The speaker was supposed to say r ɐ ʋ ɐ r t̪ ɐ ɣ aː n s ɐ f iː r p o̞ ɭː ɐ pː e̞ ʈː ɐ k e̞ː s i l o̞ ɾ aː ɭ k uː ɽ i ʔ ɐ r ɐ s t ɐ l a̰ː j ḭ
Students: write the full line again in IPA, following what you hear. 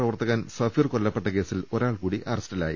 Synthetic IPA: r ɐ ʋ ɐ r t̪ ɐ ɣ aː n s ɐ f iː r k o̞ ɭː ɐ pː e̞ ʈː ɐ k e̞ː s i l o̞ ɾ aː ɭ k uː ɽ i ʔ ɐ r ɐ s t ɐ l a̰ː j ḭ